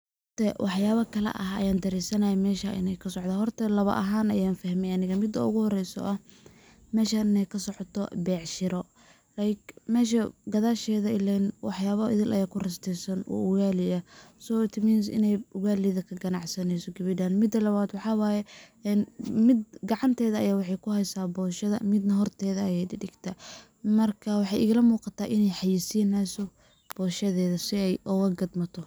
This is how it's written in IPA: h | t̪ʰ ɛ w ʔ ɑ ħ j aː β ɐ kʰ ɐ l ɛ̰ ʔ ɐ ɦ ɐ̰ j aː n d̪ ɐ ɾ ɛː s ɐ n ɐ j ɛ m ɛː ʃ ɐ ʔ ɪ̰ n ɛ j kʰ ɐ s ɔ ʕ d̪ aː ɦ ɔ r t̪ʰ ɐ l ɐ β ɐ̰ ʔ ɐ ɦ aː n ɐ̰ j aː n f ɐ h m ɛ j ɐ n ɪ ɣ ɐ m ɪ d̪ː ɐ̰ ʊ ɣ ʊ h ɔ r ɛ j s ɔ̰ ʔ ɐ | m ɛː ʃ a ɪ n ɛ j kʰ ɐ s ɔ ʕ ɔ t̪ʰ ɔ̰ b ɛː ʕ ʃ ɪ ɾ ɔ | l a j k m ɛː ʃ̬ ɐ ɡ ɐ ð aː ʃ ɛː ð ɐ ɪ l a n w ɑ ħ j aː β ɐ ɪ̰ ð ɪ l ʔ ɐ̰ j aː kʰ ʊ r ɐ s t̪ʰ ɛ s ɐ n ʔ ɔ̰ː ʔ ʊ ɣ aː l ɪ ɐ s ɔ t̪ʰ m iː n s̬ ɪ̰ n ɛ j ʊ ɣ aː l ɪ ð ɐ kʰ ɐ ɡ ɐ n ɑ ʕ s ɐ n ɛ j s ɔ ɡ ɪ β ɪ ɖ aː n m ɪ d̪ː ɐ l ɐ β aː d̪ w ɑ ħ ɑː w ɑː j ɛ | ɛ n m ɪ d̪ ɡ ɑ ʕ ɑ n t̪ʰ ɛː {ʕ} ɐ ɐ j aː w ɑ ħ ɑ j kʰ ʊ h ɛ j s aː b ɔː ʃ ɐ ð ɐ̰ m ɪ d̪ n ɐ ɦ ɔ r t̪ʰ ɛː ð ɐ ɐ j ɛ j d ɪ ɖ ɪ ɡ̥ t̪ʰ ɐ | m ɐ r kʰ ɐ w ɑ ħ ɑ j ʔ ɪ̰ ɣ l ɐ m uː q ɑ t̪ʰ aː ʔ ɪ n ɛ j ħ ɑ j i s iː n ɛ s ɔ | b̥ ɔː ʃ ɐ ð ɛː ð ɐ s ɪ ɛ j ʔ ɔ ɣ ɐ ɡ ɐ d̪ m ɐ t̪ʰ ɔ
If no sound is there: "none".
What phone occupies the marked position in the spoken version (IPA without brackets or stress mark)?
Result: ð